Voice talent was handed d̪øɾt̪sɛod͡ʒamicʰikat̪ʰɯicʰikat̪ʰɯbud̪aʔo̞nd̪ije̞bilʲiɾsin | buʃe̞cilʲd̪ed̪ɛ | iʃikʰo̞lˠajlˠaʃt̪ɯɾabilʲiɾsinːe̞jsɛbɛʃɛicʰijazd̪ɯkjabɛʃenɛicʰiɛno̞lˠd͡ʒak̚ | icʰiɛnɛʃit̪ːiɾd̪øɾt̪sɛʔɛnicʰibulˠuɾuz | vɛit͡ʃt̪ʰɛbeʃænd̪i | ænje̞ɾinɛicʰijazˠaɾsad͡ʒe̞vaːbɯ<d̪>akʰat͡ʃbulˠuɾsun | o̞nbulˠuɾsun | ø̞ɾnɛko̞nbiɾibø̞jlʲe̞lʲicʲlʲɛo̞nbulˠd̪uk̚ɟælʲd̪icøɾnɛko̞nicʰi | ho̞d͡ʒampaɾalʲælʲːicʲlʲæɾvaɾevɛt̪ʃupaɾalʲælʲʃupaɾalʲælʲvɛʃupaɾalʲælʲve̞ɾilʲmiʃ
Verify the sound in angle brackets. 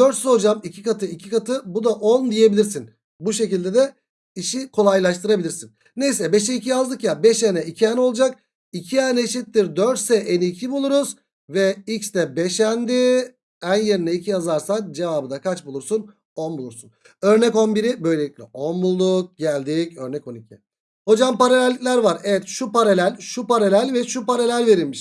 correct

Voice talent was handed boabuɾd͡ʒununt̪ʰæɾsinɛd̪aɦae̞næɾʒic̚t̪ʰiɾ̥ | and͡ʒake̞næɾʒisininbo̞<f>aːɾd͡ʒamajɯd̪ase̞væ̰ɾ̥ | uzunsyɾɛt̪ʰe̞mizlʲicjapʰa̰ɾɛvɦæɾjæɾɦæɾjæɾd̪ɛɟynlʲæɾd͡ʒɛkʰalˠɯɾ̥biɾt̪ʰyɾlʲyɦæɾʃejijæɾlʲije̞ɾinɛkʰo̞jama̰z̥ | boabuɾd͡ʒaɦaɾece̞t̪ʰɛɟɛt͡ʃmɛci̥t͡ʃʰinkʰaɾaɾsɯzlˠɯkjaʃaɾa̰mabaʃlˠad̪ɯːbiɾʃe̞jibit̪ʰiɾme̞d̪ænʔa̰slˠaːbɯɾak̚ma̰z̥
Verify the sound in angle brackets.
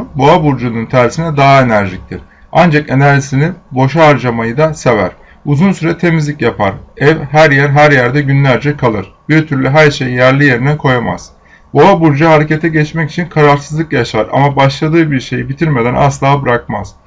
incorrect: ʃ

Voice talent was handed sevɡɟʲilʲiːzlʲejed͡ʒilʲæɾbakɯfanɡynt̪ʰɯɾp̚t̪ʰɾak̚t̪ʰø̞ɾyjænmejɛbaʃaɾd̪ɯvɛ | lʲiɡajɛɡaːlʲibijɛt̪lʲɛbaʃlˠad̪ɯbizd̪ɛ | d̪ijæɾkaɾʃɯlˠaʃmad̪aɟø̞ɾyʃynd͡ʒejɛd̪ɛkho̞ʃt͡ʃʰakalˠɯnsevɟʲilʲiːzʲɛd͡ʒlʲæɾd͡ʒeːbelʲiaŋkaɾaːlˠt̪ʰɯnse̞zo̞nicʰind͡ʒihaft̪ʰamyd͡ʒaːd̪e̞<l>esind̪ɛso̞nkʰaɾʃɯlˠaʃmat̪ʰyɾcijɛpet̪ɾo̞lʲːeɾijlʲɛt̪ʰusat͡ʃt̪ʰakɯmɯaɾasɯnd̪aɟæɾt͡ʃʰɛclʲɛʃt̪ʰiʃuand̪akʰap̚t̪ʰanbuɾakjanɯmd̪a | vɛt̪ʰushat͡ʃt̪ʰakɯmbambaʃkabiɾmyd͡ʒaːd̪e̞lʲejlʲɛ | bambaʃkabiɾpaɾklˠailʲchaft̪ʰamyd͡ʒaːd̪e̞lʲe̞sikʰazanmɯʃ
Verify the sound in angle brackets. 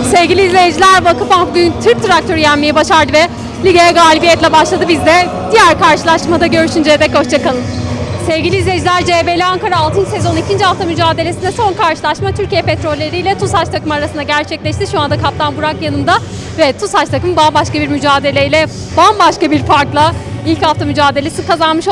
correct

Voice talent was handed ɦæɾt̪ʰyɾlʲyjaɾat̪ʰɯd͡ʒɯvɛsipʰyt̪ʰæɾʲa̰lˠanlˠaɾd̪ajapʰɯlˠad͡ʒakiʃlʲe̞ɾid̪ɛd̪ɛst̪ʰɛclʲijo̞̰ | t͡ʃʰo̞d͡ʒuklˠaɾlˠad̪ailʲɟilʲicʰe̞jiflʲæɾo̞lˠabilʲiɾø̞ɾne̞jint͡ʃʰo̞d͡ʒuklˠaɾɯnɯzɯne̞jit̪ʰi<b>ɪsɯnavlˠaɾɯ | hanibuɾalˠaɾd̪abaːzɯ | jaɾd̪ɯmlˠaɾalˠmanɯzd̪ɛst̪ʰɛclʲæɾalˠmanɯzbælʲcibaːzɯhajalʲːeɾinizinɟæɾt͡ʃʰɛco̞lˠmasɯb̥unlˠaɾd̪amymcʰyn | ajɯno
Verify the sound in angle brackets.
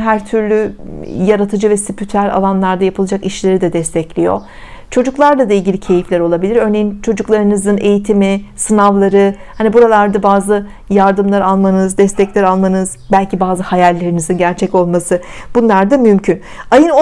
incorrect: m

